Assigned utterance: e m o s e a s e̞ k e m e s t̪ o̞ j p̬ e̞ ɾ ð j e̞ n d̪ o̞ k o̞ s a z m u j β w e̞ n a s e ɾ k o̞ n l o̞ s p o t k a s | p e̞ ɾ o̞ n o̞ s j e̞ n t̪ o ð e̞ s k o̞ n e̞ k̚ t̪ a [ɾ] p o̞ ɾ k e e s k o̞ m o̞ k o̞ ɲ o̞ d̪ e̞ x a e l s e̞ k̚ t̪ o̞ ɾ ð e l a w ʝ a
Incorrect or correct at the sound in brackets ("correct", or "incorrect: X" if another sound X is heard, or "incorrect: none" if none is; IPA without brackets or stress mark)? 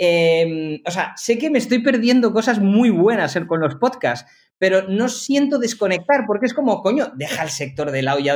correct